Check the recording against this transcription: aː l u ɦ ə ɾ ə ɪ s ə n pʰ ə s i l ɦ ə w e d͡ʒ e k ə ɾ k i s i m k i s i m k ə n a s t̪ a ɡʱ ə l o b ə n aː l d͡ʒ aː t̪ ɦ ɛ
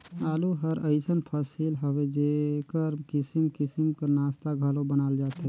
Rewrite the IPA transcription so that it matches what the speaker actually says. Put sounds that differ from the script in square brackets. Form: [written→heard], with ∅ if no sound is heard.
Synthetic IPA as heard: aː l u ɦ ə ɾ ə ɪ s ə n pʰ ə s i l ɦ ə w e d͡ʒ e k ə ɾ k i s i m k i s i m k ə n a s t̪ a ɡʱ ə l o b ə n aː l d͡ʒ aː t̪ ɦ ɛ